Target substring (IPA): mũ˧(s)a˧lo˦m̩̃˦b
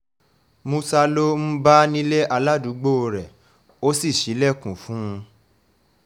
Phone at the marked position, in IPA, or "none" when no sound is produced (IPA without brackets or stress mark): s